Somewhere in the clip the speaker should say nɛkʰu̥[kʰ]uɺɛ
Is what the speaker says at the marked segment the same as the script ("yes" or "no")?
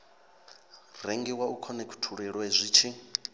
no